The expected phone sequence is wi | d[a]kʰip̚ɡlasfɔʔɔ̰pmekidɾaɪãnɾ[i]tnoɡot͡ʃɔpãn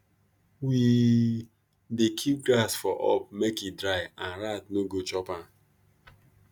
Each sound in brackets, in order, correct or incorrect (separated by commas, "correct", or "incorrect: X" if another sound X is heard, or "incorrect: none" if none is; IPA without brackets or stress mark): incorrect: e, incorrect: a